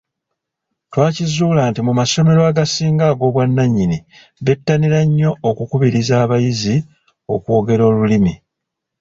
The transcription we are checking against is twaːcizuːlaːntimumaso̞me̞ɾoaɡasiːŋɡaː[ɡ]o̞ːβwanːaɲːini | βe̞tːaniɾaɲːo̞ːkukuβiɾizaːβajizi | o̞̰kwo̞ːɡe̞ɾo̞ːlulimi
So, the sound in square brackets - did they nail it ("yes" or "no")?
yes